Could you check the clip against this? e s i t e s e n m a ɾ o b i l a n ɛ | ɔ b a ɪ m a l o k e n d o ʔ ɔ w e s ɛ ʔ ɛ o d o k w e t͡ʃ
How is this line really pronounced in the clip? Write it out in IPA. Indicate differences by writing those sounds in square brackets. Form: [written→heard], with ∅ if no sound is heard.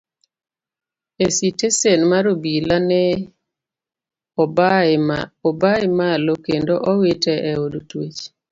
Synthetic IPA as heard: e s i t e s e n m a ɾ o b i l a n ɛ | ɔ b a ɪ m a l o k e n d o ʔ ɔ w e [s→t] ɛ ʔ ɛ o d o [k→t] w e t͡ʃ